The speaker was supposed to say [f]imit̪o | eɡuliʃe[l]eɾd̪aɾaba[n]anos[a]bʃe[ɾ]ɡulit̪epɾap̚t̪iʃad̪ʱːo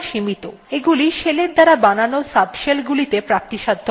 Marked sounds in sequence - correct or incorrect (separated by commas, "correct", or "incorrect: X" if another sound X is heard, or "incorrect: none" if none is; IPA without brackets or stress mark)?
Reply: incorrect: ʃ, correct, correct, correct, incorrect: l